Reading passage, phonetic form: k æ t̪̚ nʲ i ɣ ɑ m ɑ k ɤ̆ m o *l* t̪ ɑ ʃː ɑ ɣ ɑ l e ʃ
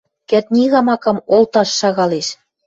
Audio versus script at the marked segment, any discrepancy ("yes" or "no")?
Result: no